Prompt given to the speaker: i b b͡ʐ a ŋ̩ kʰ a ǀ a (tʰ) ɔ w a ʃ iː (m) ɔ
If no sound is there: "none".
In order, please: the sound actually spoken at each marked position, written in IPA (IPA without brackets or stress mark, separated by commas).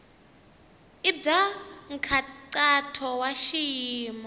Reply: tʰ, m